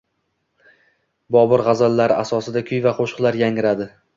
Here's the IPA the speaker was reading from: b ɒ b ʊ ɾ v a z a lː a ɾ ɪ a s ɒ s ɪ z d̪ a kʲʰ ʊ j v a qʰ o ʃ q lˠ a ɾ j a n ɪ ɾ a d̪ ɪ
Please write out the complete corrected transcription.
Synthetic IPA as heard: b ɒ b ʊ ɾ ʁ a z a lː a ɾ ɪ a s ɒ s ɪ d̪ a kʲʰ ʊ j v a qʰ o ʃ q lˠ a ɾ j a ŋ ɪ ɾ a d̪ ɪ